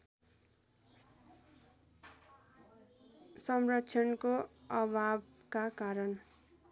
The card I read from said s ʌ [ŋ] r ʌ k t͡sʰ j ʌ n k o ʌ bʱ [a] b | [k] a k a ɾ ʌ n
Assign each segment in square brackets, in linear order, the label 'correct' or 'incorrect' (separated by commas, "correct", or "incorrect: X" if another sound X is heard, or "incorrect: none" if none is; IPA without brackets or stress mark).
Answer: incorrect: m, correct, correct